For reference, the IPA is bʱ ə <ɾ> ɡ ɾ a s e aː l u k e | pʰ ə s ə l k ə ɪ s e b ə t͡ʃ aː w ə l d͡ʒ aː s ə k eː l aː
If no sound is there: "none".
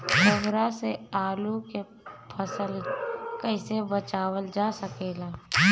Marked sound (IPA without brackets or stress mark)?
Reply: none